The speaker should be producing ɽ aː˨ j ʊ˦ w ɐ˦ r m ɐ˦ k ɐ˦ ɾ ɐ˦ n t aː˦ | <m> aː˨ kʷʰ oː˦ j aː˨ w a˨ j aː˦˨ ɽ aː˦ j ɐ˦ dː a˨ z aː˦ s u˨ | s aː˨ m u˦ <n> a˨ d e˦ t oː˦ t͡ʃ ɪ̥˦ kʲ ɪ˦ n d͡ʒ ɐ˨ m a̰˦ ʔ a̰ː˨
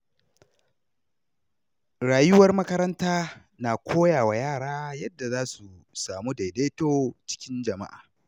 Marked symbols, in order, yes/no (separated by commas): no, no